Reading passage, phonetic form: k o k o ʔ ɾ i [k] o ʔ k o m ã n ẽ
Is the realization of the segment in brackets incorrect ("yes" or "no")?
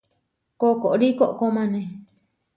no